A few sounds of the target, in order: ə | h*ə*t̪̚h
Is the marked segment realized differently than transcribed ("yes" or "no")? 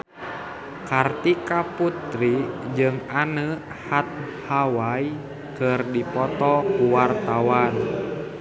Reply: yes